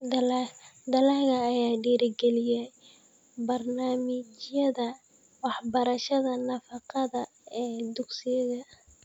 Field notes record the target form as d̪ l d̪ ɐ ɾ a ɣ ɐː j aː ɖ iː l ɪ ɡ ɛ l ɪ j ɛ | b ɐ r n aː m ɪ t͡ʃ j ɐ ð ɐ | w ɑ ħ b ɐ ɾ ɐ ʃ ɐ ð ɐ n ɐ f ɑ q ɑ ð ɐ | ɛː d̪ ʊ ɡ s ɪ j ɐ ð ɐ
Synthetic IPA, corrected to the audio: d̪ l d̪ ɐ l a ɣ ɐː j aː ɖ iː ɾ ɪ ɡ ɛ l ɪ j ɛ | b ɐ r n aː m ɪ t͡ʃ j ɐ ð ɐ | w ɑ ħ b ɐ ɾ ɐ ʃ ɐ ð ɐ n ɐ f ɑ q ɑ ð ɐ | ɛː d̪ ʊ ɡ s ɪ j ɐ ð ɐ